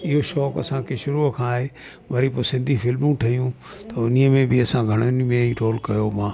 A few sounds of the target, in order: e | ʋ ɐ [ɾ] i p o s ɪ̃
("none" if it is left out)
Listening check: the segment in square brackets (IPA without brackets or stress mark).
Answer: ɾ